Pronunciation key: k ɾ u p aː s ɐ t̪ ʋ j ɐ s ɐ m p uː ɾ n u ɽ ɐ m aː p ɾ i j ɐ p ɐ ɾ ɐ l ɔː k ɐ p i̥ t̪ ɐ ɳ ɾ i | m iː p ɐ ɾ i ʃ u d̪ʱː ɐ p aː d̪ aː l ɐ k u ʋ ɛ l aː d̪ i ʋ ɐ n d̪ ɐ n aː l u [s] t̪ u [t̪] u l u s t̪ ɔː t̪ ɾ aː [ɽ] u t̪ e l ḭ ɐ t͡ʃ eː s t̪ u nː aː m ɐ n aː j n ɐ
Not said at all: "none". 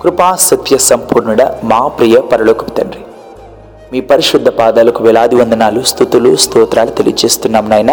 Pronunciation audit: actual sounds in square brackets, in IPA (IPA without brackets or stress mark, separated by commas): s, t̪, l